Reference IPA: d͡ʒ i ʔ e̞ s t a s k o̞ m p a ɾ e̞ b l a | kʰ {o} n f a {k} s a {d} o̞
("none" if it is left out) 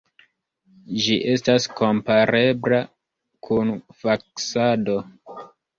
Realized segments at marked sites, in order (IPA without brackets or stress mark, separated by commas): u, k, d